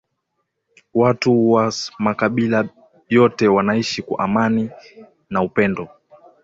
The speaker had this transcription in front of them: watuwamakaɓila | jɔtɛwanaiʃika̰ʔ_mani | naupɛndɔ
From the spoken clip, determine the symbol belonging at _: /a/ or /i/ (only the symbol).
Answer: a